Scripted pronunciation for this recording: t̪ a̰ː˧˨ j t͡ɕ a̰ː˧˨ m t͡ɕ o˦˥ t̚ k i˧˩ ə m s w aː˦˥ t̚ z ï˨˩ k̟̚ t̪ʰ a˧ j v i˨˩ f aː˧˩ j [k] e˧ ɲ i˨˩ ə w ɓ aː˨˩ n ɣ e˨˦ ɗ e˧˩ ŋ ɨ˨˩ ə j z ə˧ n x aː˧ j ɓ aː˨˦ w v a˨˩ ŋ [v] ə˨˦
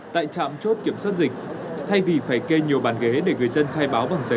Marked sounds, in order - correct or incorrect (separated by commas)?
correct, incorrect